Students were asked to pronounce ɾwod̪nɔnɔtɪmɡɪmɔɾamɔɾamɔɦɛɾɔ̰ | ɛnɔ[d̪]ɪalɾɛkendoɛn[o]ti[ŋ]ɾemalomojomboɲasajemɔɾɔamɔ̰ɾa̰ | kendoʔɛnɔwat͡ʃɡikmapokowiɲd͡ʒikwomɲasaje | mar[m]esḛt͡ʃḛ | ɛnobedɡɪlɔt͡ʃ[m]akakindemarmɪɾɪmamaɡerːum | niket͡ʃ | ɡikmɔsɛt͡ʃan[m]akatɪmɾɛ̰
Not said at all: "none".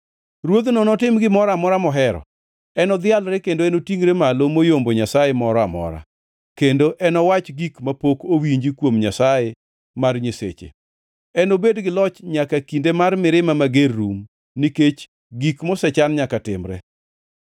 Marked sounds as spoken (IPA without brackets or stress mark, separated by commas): d̪, o, ŋ, ɲ, ɲ, ɲ